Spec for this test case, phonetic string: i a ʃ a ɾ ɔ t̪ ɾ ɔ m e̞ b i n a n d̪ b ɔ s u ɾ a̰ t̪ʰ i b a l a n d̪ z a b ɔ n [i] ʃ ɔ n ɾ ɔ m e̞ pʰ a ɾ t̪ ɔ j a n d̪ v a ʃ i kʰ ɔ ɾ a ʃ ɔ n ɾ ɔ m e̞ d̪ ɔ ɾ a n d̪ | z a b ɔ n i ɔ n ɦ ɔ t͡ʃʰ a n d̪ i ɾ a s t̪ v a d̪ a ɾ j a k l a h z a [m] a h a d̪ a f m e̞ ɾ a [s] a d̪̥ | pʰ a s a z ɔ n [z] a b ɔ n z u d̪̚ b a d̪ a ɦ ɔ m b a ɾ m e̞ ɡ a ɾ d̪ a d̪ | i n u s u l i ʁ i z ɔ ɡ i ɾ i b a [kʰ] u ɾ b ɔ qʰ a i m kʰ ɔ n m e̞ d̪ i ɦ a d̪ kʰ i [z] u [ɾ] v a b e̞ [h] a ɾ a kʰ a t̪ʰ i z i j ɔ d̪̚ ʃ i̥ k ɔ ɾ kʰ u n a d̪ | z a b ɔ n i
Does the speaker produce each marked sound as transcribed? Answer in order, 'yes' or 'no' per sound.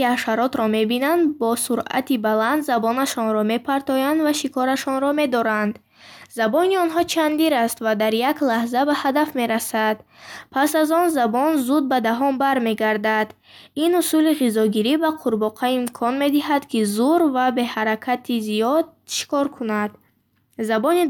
no, no, yes, yes, no, yes, yes, yes

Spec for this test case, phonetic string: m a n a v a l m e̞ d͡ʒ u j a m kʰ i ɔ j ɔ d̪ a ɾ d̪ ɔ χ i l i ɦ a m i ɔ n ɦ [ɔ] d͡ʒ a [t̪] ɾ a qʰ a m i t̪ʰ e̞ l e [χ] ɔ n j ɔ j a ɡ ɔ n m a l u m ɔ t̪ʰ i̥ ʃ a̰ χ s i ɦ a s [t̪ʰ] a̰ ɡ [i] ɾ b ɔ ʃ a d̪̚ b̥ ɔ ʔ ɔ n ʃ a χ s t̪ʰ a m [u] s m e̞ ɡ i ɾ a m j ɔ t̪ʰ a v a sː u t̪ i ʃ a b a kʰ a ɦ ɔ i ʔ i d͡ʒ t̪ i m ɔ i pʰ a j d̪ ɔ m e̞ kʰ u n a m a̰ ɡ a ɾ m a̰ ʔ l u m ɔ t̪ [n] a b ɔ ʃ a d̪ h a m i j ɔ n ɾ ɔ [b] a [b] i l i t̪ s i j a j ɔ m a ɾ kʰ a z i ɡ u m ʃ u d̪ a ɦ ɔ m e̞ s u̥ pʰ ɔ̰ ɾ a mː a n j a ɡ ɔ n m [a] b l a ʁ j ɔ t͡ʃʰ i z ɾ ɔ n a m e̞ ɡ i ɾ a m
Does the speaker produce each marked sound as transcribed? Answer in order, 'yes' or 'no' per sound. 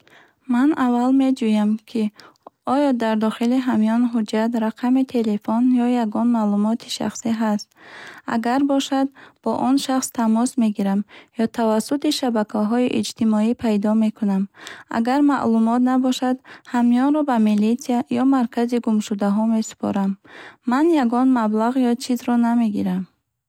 no, yes, no, no, no, no, yes, yes, no, yes

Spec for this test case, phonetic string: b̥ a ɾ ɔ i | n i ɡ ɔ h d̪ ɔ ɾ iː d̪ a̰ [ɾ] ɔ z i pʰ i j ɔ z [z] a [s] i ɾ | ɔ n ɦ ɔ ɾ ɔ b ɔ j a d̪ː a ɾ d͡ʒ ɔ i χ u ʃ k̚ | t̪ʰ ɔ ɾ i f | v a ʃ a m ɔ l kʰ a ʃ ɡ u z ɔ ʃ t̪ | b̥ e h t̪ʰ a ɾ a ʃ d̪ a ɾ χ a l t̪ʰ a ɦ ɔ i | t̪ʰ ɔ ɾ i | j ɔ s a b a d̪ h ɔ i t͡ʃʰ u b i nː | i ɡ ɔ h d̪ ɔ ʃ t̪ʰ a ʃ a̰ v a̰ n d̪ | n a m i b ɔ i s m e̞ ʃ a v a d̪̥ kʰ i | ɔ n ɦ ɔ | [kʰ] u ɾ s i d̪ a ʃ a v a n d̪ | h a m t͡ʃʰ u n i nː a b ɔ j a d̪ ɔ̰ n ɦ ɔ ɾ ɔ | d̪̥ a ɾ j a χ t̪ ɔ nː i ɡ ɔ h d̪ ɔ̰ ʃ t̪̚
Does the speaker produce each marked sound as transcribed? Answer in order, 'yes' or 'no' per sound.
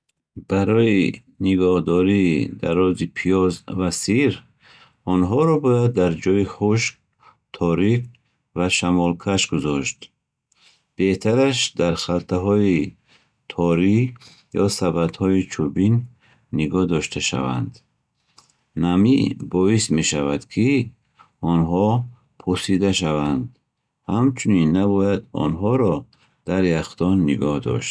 yes, no, yes, no

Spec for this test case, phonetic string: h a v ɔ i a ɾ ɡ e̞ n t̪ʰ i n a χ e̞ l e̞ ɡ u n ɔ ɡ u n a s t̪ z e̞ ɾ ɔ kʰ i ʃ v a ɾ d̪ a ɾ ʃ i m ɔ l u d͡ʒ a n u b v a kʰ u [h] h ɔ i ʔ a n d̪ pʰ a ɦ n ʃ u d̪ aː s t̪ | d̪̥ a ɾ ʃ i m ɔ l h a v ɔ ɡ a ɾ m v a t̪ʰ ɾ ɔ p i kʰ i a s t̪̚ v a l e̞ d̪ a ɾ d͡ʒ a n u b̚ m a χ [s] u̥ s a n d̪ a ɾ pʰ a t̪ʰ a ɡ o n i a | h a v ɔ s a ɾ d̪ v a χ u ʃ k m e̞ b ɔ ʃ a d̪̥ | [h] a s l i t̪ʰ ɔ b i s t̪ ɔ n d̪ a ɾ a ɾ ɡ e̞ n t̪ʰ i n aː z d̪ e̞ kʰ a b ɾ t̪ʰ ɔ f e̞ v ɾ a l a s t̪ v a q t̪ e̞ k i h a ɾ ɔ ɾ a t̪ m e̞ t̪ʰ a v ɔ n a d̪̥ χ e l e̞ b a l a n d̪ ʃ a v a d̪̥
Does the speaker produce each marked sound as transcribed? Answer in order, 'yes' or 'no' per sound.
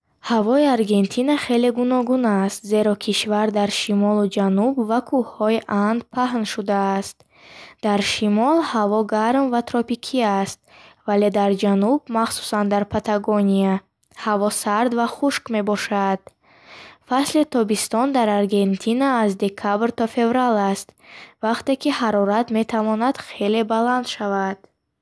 yes, yes, no

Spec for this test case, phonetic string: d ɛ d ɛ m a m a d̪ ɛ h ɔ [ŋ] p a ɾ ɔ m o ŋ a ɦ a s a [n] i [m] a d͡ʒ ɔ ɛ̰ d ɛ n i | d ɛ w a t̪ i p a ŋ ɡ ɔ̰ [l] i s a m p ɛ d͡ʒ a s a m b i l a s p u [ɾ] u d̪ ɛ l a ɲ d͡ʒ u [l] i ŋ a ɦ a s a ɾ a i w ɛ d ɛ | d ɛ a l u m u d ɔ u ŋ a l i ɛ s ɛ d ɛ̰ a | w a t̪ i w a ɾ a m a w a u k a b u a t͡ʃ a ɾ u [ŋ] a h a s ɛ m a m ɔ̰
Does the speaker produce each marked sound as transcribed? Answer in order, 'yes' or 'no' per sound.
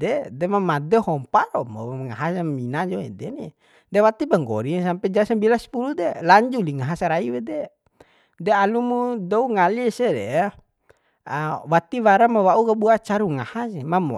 no, no, no, no, no, yes, yes

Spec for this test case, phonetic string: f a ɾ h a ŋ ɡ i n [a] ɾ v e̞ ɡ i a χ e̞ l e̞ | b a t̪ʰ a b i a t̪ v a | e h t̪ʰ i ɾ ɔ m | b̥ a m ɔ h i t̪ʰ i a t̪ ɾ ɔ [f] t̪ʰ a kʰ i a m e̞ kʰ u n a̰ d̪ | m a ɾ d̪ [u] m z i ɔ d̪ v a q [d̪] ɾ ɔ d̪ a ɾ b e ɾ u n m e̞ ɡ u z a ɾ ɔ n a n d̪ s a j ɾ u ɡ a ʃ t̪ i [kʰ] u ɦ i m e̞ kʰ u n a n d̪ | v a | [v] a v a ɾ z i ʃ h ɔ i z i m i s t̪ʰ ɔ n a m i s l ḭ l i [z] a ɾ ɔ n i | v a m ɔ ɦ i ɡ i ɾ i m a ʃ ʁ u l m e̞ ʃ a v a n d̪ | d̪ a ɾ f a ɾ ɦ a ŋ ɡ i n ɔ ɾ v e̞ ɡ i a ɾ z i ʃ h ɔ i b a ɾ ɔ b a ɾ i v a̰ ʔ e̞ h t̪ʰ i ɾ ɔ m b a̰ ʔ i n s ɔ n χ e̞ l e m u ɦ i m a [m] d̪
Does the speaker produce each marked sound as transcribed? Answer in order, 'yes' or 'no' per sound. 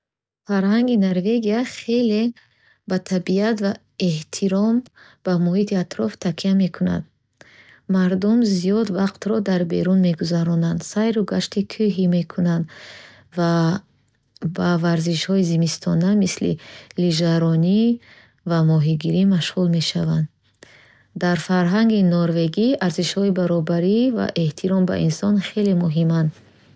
yes, yes, yes, no, yes, no, no, no

